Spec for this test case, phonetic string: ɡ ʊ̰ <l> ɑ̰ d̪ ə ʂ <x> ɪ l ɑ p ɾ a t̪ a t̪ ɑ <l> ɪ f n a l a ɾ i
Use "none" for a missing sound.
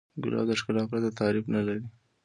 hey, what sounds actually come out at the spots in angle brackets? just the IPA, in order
l, k, ɾ

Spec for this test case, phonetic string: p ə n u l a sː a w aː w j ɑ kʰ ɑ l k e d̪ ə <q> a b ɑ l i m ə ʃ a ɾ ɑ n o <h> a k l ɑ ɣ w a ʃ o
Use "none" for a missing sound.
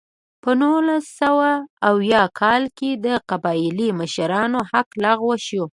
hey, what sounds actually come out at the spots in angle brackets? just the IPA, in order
q, h

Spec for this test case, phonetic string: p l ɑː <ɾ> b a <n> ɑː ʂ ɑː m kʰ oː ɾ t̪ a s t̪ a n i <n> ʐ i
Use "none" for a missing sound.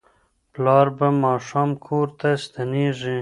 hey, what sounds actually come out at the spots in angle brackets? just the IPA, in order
ɾ, m, none

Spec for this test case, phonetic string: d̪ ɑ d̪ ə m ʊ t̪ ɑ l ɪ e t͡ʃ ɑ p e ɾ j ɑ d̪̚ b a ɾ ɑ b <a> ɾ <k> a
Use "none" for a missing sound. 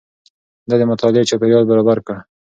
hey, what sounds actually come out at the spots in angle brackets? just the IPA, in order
a, k

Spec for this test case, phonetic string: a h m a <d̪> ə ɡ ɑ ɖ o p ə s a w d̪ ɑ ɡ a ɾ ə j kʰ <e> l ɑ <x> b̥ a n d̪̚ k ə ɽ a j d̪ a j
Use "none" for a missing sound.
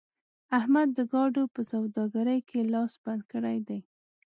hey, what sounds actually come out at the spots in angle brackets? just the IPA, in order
d̪ː, e, s

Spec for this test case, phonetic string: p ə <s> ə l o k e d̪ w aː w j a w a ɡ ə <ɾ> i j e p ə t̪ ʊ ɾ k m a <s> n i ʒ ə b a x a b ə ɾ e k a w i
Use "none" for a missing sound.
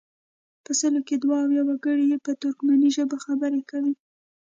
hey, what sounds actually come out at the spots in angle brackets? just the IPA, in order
s, ɽ, none

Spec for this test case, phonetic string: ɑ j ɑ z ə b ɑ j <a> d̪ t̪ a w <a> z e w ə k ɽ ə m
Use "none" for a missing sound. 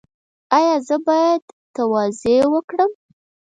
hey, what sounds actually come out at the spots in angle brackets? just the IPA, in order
a, ɑ

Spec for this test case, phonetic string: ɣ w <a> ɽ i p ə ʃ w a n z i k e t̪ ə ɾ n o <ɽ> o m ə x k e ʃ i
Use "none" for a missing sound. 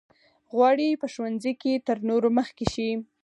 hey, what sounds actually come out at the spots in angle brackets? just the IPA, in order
ɑ, ɾ

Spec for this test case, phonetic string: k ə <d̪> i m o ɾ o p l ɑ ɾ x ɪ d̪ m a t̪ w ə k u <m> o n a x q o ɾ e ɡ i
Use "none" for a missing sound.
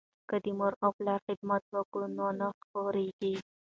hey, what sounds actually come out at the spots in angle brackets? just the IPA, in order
d̪, n

